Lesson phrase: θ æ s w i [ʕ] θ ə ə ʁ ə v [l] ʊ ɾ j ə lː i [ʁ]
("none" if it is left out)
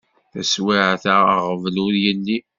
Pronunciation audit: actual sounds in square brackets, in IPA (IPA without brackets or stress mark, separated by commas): ʕ, l, none